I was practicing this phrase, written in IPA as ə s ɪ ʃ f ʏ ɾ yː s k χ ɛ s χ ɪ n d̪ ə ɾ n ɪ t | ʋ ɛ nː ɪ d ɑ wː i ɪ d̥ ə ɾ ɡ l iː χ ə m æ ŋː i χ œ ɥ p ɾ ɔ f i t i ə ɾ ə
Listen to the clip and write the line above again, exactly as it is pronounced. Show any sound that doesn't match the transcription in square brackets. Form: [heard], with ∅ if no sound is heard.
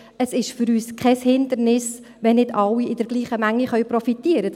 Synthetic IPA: ə s ɪ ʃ f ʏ ɾ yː s k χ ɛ s [h] ɪ n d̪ ə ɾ n ɪ [s] | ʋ ɛ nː ɪ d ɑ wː i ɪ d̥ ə ɾ ɡ l iː χ ə m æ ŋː i χ œ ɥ p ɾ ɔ f i t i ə ɾ ə